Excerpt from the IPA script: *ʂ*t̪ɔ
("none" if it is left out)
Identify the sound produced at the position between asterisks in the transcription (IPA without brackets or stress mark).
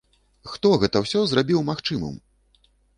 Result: x